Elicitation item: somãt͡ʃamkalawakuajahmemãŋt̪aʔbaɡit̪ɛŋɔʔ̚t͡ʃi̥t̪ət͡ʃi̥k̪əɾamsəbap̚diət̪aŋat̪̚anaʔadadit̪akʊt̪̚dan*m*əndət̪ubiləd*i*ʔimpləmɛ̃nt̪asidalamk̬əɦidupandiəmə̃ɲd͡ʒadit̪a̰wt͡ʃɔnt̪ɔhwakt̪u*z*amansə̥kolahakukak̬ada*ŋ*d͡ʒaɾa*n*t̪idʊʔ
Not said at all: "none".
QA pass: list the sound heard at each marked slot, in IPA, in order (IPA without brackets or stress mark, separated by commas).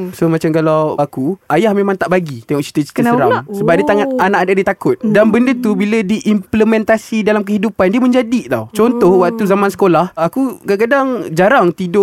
b, i, z, ŋ, ŋ